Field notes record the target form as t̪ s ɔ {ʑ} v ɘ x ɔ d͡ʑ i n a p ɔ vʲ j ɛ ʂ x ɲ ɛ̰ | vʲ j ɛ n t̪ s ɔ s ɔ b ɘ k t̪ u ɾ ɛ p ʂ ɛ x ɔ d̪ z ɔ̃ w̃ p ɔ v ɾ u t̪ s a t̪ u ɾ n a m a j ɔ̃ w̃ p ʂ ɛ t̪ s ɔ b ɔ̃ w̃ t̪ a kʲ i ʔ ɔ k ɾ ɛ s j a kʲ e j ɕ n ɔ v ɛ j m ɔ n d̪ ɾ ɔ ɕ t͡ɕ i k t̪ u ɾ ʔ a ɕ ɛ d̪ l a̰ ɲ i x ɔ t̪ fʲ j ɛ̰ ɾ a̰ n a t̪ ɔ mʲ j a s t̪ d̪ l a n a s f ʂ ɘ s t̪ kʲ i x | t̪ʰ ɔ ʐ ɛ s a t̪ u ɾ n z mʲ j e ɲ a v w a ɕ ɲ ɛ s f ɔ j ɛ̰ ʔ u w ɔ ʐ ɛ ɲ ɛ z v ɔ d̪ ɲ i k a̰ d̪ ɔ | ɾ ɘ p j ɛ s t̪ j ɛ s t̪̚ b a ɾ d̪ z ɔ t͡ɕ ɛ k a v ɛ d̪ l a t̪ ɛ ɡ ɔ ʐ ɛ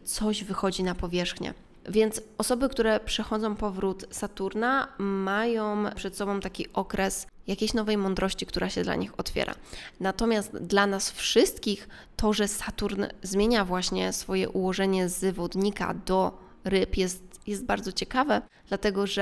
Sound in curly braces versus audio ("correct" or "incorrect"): correct